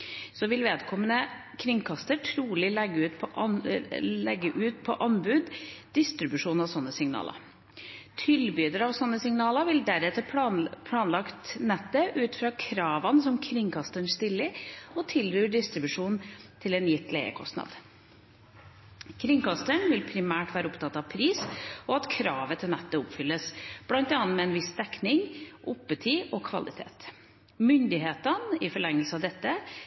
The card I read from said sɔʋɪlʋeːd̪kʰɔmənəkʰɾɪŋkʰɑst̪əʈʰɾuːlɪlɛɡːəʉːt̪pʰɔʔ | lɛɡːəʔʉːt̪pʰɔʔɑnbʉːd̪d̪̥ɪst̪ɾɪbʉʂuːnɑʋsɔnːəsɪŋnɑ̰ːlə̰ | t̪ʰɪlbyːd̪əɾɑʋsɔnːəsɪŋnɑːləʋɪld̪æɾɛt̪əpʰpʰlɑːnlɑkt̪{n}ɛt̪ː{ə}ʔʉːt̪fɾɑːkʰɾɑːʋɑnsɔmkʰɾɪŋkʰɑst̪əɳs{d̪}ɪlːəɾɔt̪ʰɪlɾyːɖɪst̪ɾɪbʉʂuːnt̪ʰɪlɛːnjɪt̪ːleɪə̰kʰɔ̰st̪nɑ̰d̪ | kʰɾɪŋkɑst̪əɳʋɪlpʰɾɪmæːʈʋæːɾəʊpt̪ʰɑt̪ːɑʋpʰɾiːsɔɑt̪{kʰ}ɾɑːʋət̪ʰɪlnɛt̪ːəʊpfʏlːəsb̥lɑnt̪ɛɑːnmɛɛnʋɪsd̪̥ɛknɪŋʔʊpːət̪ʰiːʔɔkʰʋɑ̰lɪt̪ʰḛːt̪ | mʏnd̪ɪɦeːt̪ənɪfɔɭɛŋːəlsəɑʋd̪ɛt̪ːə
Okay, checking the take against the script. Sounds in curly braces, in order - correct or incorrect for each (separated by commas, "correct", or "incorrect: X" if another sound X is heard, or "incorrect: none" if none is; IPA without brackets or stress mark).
correct, correct, incorrect: t̪, correct